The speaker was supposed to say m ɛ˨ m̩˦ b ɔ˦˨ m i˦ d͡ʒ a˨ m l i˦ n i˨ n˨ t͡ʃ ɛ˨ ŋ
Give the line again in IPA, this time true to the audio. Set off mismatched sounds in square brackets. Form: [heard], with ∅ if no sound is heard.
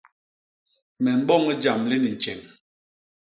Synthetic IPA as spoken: m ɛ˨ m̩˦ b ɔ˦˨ [ŋ] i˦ d͡ʒ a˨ m l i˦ n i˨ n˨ t͡ʃ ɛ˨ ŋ